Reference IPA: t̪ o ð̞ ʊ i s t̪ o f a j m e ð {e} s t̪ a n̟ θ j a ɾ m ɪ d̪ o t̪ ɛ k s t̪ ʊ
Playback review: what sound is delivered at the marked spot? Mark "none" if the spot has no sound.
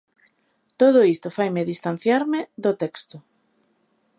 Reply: i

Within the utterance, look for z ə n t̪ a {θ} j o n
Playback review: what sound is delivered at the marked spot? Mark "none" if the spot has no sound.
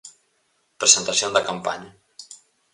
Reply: s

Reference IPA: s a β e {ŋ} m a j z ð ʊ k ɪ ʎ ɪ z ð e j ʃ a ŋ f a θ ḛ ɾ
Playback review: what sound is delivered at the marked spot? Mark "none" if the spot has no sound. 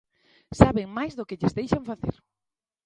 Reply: ŋ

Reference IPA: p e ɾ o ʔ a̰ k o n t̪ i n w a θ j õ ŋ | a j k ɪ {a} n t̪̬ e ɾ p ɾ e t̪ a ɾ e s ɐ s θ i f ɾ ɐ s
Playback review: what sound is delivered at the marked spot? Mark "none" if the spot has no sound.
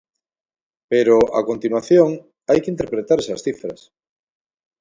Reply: i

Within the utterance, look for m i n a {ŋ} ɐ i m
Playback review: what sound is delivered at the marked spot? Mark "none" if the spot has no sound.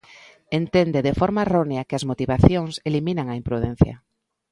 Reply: ŋ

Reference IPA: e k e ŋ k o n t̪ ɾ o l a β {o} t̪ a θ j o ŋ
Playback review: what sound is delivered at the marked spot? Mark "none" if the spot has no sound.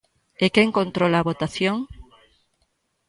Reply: o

